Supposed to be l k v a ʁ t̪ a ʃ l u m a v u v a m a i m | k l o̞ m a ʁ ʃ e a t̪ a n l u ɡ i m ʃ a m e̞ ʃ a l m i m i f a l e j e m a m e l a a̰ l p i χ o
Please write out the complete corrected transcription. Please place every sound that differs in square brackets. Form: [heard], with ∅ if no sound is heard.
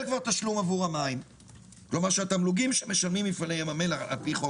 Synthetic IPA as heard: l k v a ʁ t̪ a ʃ l u m a v u [ʁ] a m a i m | k l o̞ m a ʁ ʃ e a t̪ a [m] l u ɡ i m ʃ [e] m e̞ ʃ a l m i m i f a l e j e m a m e l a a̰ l p i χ o